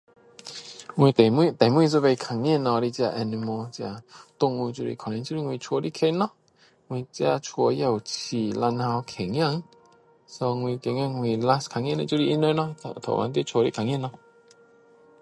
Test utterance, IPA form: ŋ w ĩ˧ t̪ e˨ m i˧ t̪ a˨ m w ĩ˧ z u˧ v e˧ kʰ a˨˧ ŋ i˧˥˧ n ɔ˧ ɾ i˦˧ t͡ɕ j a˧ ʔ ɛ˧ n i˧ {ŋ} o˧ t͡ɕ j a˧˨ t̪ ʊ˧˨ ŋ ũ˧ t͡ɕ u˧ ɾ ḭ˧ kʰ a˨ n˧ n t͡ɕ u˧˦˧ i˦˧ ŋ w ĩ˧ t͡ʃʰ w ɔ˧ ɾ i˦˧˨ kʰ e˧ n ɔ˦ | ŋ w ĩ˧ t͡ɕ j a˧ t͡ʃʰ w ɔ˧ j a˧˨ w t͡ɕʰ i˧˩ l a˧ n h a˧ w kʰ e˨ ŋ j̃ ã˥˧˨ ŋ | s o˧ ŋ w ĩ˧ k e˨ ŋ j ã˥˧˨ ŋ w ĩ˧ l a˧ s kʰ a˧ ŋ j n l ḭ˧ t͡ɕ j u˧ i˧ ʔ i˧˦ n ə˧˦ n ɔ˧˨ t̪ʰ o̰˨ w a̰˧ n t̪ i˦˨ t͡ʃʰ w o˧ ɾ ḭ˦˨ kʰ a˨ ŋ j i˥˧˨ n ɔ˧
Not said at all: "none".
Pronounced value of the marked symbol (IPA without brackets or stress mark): m